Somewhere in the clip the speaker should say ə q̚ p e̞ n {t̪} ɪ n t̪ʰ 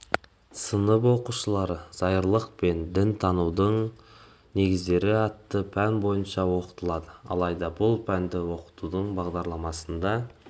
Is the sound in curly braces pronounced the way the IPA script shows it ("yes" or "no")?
no